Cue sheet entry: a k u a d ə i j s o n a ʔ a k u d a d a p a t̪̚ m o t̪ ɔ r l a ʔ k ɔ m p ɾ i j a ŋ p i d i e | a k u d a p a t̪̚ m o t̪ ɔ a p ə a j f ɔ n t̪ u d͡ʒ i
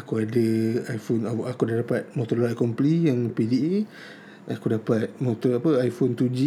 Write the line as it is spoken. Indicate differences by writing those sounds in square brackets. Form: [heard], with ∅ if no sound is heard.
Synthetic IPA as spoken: a k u a d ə [a] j [f] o n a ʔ a k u d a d a p a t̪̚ m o t̪ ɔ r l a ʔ k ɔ m p [l] i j a ŋ p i d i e | a k u d a p a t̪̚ m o t̪ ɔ a p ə a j f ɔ n t̪ u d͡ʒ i